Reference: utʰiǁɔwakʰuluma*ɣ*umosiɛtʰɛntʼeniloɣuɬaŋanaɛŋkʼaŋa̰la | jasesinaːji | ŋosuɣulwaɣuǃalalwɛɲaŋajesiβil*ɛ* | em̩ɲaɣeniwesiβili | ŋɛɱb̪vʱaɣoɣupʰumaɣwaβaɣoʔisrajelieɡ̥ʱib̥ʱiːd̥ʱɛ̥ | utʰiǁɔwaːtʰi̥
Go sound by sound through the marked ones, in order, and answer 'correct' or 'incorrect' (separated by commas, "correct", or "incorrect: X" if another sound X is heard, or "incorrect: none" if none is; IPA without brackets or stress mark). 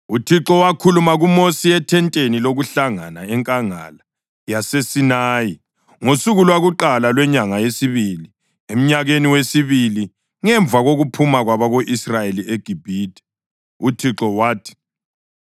correct, incorrect: i